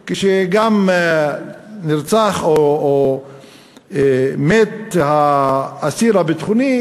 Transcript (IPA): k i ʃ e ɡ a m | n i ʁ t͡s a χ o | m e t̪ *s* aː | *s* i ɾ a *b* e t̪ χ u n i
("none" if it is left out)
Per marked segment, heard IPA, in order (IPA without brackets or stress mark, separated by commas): h, s, b